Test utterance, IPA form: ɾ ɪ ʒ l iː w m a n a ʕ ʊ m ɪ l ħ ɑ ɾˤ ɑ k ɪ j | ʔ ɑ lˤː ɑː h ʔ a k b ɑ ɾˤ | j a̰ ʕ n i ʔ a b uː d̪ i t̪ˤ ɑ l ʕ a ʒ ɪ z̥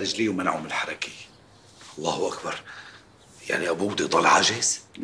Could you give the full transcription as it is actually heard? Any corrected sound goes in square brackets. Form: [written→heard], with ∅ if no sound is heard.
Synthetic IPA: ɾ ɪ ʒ l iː w m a n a ʕ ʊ m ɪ l ħ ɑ ɾˤ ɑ k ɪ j | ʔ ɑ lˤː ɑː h ʔ a k b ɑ ɾˤ | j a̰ ʕ n i ʔ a b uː d̪ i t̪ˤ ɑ l ʕ a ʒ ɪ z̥